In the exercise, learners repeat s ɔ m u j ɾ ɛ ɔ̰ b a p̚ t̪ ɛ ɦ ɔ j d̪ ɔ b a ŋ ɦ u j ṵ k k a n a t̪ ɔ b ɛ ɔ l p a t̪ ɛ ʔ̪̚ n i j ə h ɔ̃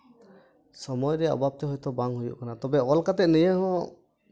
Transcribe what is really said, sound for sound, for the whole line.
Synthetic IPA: s ɔ m ɔ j ɾ ɛ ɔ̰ b a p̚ t̪ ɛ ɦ ɔ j t̪ ɔ b a ŋ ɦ u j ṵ ʔ k a n a t̪ ɔ b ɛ ɔ l k a t̪ ɛ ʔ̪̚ n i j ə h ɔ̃